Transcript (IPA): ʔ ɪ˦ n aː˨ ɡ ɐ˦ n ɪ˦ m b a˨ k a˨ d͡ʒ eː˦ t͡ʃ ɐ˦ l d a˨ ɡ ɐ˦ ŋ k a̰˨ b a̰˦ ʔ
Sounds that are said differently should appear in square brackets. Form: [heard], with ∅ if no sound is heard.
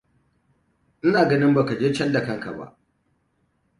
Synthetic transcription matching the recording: ʔ ɪ˦ n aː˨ ɡ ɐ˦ n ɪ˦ m b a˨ k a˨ d͡ʒ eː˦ t͡ʃ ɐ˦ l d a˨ [k] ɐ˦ ŋ k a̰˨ b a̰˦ ʔ